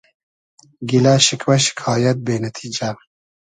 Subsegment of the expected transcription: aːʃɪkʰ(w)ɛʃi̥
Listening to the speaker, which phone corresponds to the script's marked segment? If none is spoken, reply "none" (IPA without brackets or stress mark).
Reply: w